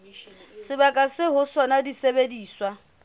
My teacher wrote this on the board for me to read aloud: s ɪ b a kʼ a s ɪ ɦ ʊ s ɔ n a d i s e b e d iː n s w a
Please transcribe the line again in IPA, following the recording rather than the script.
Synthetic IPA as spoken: s ɪ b a kʼ a s ɪ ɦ ʊ s ɔ n a d i s e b e d iː s w a